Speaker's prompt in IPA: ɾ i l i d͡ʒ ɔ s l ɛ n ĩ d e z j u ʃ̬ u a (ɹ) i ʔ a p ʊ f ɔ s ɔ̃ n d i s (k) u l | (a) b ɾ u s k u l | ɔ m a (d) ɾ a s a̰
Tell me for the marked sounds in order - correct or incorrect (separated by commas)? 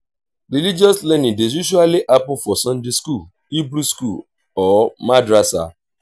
incorrect, correct, incorrect, correct